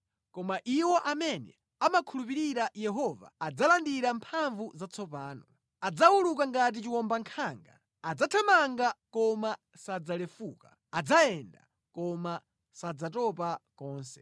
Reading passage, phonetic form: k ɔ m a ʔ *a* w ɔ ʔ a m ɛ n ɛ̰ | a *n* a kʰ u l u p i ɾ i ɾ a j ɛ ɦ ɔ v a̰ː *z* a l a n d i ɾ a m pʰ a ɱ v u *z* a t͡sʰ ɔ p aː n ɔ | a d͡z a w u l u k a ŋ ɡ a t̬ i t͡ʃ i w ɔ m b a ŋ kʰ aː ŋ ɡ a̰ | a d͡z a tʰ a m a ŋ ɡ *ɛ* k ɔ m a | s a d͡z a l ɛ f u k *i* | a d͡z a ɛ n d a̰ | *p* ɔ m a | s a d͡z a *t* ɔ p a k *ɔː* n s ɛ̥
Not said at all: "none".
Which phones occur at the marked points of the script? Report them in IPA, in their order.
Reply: i, m, d͡z, z, a, a, k, t, ɔː

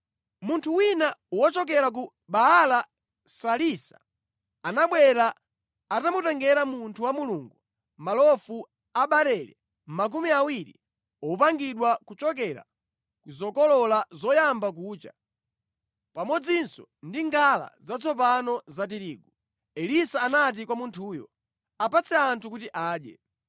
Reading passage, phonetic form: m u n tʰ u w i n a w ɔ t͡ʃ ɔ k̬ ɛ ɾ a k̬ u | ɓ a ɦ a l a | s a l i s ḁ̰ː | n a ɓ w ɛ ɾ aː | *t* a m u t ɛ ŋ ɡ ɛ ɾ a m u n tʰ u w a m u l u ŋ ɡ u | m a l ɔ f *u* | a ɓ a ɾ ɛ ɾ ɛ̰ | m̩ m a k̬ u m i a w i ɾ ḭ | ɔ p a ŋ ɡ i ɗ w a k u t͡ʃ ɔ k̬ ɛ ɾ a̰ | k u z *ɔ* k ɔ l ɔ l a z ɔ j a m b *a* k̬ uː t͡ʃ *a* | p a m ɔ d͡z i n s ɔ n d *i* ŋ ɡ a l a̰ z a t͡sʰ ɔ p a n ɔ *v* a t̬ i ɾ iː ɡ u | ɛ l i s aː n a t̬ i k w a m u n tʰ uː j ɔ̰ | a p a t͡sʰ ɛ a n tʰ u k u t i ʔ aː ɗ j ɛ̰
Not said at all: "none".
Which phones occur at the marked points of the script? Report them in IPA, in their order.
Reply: t, u, ɔ, a, a, i, z

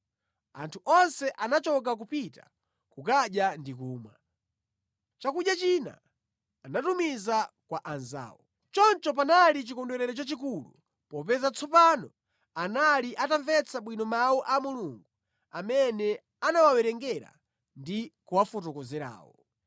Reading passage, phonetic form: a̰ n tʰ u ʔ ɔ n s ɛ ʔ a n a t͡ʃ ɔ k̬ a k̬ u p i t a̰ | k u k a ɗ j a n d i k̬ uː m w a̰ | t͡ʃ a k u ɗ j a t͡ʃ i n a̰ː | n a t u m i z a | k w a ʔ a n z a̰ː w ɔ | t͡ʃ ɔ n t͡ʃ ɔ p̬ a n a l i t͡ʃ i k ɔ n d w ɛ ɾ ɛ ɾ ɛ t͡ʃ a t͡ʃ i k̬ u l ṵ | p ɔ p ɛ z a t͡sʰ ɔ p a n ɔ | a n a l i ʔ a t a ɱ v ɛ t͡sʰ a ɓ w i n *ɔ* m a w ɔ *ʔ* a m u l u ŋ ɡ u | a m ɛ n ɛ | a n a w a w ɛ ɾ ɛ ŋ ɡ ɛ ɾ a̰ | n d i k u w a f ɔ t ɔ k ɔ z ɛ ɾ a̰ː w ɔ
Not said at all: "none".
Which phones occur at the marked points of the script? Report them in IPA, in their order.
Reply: ɔ, ʔ

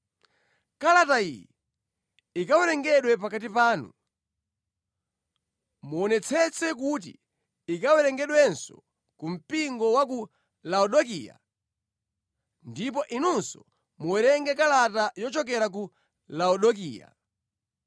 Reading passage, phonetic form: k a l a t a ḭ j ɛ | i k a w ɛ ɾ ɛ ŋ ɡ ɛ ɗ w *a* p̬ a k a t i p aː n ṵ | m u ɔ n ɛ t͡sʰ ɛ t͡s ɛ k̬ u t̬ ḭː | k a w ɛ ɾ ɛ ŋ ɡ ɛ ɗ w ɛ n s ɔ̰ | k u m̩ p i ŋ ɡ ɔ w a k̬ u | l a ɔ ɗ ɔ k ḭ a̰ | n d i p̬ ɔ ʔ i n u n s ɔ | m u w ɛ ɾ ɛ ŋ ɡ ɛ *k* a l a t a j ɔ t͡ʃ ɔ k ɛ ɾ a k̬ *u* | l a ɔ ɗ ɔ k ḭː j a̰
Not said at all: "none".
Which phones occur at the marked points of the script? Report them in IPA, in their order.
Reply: ɛ, k, u

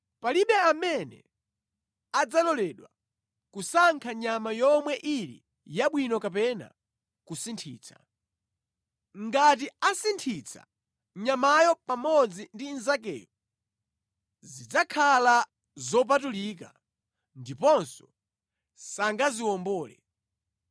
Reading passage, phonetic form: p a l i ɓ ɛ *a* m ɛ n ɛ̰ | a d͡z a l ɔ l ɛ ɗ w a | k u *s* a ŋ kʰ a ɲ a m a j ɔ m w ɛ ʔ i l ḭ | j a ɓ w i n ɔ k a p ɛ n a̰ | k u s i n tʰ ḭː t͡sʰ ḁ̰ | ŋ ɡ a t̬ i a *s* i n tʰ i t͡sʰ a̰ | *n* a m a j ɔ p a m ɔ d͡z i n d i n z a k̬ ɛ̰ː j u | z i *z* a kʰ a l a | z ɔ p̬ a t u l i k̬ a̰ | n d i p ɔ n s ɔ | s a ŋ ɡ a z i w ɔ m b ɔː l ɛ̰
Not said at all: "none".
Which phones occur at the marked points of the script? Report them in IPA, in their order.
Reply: a, s, s, ɲ, d͡z

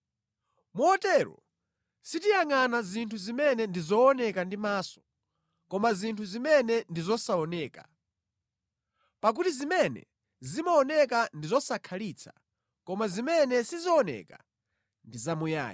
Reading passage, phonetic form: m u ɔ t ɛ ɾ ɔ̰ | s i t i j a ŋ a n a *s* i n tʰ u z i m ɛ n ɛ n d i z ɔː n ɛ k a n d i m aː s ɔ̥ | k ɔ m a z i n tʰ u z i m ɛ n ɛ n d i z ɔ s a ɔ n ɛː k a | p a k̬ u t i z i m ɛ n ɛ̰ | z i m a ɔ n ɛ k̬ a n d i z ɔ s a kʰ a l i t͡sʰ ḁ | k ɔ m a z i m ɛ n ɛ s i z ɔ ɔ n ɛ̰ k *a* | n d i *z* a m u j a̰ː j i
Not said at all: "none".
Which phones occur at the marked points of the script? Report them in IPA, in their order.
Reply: z, a, z

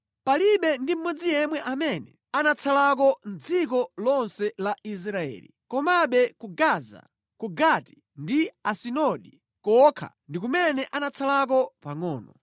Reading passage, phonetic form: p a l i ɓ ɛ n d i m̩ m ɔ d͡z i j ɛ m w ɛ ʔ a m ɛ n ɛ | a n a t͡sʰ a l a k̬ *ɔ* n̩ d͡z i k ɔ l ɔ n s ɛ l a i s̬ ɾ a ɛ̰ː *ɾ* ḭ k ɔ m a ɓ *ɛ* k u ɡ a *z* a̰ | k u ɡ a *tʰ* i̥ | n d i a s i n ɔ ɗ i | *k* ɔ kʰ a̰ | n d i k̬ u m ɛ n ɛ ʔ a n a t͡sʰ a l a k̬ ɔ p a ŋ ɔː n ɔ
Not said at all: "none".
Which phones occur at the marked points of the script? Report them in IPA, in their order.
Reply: ɔ, l, ɛ, z, t, k

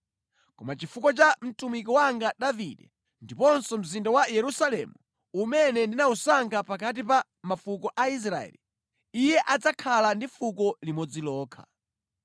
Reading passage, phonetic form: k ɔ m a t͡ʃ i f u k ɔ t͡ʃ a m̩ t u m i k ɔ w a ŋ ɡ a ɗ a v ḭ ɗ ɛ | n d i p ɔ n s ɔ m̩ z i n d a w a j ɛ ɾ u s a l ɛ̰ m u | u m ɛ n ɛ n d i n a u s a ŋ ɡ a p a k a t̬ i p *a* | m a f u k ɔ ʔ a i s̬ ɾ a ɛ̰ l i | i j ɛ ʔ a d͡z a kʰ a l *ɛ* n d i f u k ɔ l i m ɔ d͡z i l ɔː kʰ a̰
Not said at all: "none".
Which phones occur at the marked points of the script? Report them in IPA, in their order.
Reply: a, a

